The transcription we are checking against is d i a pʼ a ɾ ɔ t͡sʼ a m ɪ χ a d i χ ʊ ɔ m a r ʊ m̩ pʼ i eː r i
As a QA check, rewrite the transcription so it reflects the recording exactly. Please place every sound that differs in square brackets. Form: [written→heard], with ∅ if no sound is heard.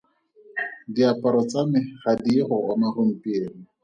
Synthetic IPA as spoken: d i a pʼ a ɾ ɔ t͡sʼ a m ɪ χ a d i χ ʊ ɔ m a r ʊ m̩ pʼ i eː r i

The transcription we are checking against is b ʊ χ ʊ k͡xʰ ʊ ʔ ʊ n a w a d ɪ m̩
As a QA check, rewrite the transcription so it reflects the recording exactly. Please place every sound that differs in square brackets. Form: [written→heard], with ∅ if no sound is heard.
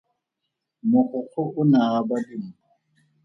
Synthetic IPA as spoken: [b→m] ʊ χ ʊ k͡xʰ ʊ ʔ ʊ n a [w→b] a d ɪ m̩

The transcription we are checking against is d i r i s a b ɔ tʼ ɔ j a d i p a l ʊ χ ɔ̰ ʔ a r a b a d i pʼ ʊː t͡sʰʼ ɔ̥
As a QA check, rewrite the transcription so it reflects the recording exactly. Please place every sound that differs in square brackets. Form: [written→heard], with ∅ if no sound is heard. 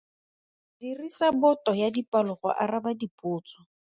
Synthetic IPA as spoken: d i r i s a b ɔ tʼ ɔ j a d i p a l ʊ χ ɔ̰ ʔ a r a b a d i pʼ ʊː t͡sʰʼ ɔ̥

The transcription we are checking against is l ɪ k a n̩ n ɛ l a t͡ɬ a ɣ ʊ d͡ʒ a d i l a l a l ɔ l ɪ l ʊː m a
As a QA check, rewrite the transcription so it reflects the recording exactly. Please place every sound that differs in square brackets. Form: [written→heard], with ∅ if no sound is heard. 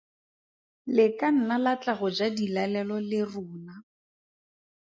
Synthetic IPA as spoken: l ɪ k a n̩ n [ɛ→a] l a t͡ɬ a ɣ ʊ d͡ʒ a d i l a l [a→ɛ] l ɔ l ɪ [l→r] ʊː [m→n] a

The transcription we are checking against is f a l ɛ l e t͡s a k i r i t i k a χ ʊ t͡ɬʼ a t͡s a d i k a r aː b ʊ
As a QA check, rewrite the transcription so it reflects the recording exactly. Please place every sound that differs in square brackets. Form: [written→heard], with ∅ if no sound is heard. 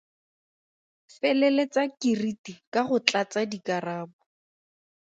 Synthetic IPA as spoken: f [a→ɛ] l ɛ l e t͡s a k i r i t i k a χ ʊ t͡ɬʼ a t͡s a d i k a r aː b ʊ

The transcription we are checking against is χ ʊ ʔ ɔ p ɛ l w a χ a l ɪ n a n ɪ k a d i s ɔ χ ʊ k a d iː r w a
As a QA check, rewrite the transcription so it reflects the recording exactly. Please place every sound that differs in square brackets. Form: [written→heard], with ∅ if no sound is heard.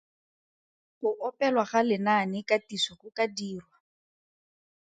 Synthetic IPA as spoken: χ ʊ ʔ ɔ p ɛ l w a χ a l ɪ n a n ɪ k a [d→t] i s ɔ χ ʊ k a d iː r w a

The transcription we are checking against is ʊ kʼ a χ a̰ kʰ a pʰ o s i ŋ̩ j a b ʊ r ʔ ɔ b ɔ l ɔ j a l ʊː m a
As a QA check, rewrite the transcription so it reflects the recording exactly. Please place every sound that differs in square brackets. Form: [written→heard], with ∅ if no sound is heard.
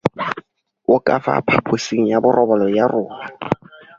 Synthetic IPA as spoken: ʊ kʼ a [χ→f] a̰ [kʰ→pʰ] a pʰ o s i ŋ̩ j a b ʊ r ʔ ɔ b ɔ l ɔ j a [l→r] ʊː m a

